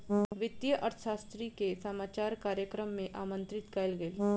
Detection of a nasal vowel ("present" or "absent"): present